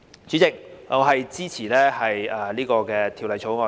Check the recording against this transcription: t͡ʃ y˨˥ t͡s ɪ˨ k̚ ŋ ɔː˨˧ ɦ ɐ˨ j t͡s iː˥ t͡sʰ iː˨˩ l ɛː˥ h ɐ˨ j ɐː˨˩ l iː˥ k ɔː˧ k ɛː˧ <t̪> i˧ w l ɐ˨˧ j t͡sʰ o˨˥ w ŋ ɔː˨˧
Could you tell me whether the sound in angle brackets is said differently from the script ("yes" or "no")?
yes